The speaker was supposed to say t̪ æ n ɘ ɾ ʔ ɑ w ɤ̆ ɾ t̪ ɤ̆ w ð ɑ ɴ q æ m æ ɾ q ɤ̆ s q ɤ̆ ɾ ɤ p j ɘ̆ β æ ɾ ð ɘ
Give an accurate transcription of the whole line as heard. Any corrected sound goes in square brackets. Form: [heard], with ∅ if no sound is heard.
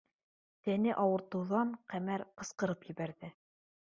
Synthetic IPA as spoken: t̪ æ n ɘ [∅] ʔ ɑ w ɤ̆ ɾ t̪ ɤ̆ w ð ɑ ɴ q æ m æ ɾ q ɤ̆ s q ɤ̆ ɾ ɤ p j ɘ̆ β æ ɾ ð ɘ